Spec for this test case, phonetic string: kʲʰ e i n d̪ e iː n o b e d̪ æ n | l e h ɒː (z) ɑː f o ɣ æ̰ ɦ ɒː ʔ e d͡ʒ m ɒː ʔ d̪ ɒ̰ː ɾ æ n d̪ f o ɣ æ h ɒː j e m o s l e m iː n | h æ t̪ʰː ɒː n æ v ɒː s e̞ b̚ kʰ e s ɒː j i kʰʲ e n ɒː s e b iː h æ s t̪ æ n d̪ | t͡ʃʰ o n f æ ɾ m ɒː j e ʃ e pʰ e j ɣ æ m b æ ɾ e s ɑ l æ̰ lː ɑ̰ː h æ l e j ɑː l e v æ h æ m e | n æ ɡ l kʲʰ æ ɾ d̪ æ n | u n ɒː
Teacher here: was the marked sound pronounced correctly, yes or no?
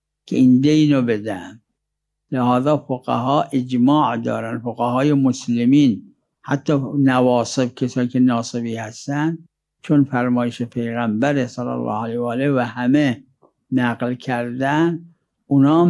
yes